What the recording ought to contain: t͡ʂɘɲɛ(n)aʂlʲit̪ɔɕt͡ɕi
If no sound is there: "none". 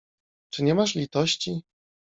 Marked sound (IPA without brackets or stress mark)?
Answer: m